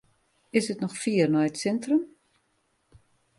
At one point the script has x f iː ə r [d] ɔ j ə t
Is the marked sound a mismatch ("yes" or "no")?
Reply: yes